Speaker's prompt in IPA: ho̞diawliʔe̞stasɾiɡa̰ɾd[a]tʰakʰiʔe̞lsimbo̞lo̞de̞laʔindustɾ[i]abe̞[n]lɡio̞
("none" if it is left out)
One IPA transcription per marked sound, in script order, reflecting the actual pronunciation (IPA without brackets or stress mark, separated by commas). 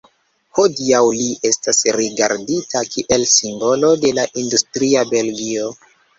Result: i, i, none